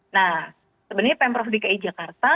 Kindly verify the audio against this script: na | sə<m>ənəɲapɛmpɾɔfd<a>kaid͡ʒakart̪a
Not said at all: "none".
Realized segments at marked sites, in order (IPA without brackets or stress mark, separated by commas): b, i